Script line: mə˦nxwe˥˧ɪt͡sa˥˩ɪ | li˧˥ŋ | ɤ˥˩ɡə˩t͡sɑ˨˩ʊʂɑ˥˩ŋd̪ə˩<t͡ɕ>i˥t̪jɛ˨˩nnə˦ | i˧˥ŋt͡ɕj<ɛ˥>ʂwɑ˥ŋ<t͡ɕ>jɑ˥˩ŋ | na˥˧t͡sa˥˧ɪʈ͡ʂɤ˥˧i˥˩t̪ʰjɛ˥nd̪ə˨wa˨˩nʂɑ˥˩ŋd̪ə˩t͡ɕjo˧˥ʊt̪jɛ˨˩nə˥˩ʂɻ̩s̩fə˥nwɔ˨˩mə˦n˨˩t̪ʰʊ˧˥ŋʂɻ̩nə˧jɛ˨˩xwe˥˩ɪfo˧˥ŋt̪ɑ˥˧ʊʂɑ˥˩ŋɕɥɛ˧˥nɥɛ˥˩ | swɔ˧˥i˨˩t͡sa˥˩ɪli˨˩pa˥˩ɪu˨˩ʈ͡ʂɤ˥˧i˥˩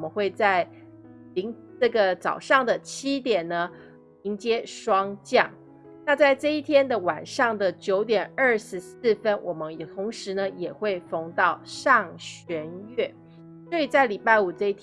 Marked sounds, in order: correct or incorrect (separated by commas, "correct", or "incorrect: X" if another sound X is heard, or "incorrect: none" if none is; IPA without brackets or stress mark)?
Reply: incorrect: t͡ɕʰ, correct, correct